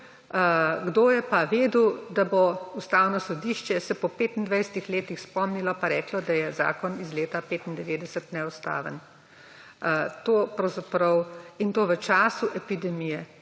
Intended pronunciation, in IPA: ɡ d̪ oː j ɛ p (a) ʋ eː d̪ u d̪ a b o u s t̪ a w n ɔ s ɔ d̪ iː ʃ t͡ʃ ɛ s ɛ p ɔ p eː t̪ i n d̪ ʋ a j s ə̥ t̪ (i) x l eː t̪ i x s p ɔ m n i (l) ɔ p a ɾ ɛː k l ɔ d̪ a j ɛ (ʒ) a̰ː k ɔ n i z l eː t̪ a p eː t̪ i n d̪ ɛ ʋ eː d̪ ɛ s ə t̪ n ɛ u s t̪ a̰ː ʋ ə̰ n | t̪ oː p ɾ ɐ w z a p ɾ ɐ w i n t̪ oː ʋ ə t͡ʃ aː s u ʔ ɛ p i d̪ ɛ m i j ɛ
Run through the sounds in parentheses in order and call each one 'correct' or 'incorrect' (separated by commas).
correct, correct, correct, incorrect